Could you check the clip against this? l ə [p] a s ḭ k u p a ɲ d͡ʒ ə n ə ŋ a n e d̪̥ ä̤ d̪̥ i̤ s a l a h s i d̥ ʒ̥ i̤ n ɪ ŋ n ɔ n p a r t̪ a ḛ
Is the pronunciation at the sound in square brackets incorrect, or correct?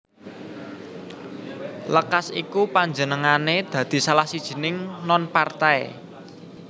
incorrect